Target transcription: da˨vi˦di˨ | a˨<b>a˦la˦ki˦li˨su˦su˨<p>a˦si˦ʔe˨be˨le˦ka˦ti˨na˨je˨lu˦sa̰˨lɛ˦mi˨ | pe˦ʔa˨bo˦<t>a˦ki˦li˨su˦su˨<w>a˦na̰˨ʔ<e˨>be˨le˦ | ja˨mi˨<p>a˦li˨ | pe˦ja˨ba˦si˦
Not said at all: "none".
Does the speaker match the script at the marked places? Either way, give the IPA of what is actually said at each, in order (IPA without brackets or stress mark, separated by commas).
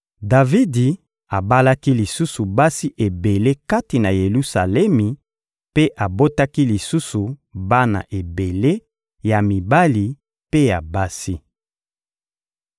b, b, t, b, e˨, b